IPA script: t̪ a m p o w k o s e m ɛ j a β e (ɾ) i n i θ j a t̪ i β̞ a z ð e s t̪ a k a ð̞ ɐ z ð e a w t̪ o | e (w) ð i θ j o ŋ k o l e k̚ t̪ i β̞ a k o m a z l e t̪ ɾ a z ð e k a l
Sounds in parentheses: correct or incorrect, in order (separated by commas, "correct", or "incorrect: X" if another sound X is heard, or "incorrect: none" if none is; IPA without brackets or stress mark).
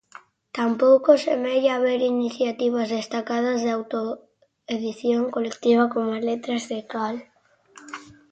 correct, incorrect: none